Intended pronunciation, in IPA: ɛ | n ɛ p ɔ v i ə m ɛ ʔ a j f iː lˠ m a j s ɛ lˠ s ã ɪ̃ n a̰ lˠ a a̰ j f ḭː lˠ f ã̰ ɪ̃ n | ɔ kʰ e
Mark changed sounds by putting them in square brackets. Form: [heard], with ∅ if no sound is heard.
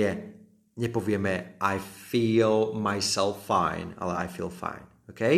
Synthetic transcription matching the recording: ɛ | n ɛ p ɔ v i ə m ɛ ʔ a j f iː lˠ m a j s ɛ lˠ [f] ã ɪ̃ n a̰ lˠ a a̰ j f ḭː lˠ f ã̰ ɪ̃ n | [o] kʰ e